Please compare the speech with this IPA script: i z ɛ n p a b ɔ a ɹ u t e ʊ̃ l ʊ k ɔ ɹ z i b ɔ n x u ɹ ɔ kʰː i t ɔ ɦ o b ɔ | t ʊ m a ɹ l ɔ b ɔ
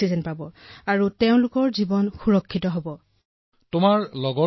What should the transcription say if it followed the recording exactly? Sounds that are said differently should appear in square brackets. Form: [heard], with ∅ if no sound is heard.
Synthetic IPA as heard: i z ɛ n p a b ɔ a ɹ u t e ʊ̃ l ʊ k ɔ ɹ z i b ɔ n x u ɹ ɔ kʰː i t ɔ ɦ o b ɔ | t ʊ m a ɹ l ɔ [ɡ] ɔ